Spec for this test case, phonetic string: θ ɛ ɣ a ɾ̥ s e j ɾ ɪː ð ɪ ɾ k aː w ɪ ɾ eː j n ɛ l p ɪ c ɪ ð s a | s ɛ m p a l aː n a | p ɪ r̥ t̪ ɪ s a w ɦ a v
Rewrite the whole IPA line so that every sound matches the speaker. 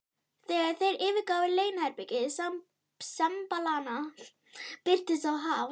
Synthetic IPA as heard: θ ɛ ɣ a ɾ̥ θ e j ɾ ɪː v ɪ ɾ k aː w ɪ l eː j n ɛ ɾ p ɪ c ɪ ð s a | s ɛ m p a l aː n a | p ɪ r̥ t̪ ɪ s a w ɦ a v